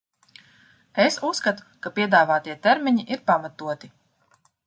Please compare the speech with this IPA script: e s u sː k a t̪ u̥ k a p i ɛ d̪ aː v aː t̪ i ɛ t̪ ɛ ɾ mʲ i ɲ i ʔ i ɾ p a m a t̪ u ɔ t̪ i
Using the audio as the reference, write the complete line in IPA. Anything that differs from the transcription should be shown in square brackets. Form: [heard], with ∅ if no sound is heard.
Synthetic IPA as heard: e s u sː k a t̪ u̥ k a p i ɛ d̪ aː v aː t̪ i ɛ t̪ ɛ ɾ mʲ i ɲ i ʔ i ɾ p a m a t̪ u ɔ t̪ i